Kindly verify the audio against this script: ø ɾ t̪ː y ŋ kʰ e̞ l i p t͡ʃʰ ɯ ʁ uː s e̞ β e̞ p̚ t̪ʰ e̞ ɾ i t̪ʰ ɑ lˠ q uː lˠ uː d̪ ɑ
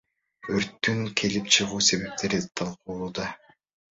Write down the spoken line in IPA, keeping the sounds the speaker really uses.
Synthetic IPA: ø ɾ t̪ː y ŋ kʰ e̞ l i p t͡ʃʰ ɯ ʁ uː s e̞ β e̞ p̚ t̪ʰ e̞ ɾ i t̪ʰ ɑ lˠ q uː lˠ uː d̪ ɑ